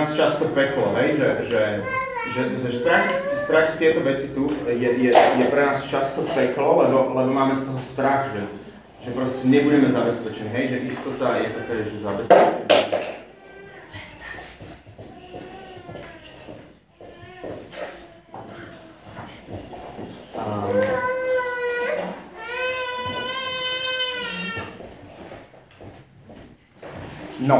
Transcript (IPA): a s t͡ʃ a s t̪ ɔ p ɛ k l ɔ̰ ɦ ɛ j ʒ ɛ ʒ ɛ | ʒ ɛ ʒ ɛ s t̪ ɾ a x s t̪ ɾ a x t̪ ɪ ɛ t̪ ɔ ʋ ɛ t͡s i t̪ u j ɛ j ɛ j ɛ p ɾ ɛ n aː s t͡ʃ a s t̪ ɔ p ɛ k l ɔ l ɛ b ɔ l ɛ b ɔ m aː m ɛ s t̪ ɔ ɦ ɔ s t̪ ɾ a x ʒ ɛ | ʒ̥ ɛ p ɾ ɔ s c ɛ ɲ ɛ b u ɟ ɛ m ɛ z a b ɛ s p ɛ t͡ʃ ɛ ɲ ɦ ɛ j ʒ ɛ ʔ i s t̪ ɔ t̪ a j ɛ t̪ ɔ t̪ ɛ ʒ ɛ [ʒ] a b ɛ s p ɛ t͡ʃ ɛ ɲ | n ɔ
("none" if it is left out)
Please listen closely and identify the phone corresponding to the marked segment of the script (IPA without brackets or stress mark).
z